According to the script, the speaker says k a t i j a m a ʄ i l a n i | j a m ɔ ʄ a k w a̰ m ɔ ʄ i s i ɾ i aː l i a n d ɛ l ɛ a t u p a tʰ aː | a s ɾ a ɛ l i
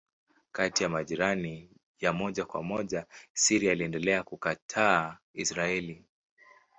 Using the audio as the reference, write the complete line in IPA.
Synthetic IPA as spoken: k a t i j a m a ʄ i ɾ a n i | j a m ɔ ʄ a k w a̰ m ɔ ʄ a s i ɾ i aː l i ɛ n d ɛ l ɛ a k u k a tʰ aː | i s ɾ a ɛ l i